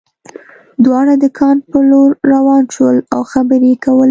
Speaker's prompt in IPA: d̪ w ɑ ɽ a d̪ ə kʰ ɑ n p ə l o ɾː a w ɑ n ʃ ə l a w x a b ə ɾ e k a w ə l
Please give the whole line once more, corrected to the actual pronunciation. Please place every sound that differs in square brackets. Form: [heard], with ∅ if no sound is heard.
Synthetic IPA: d̪ w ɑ ɽ a d̪ ə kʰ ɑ n p ə l o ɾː a w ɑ n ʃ ə l a w x a b ə ɾ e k a w ə l